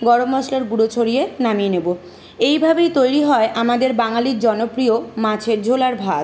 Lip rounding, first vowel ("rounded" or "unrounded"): rounded